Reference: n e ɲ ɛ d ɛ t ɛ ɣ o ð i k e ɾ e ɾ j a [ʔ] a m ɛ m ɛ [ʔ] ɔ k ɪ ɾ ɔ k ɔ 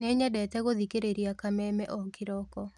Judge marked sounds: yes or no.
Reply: no, yes

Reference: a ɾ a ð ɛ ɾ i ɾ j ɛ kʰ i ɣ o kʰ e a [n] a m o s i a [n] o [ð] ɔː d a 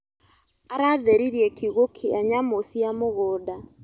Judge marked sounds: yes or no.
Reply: no, no, no

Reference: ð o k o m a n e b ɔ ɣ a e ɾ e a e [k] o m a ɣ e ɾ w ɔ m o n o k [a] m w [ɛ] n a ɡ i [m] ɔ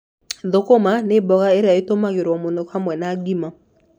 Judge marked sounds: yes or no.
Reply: no, yes, yes, yes

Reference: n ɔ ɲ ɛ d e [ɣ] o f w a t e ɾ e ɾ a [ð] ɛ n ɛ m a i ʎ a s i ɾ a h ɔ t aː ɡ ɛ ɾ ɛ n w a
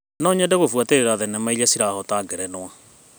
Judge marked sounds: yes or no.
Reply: yes, yes

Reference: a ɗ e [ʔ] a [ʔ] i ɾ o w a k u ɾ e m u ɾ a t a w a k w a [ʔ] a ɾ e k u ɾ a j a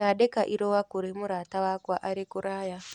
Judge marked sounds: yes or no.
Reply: no, yes, yes

